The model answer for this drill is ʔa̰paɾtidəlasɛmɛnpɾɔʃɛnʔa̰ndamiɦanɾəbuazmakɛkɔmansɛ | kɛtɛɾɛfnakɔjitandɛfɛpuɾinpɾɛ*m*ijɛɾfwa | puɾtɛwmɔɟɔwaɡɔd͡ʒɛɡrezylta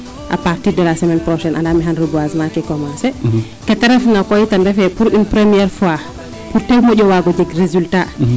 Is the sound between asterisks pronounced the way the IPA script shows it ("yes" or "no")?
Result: yes